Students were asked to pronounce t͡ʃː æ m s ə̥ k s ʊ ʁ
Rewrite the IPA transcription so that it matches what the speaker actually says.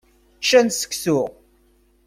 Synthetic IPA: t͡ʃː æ n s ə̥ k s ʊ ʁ